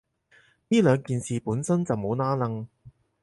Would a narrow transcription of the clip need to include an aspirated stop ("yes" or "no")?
no